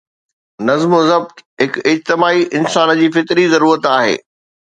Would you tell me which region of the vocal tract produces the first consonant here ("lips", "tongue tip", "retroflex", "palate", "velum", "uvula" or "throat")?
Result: tongue tip